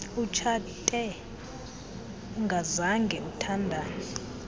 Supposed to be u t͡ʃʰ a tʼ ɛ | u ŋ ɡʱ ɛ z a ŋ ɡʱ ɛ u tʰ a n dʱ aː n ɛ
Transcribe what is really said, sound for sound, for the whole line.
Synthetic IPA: u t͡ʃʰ a tʼ ɛ | u ŋ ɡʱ a z a ŋ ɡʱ ɛ u tʰ a n dʱ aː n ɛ